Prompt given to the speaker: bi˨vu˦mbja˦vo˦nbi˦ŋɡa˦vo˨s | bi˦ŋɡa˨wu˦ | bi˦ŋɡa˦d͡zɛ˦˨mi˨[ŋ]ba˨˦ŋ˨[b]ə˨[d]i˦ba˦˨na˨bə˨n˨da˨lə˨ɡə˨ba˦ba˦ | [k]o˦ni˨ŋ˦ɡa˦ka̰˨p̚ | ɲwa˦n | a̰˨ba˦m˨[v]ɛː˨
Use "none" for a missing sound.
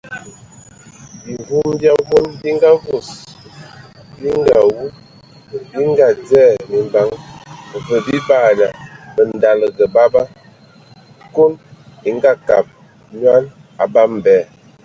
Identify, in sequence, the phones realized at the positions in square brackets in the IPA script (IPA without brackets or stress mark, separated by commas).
m, v, b, k, b